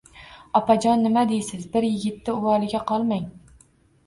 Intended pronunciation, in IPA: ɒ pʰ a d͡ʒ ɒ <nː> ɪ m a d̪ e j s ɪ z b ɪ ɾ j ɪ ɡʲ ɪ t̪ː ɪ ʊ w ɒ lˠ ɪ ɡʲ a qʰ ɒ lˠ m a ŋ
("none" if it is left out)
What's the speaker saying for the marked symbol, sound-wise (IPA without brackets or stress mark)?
nː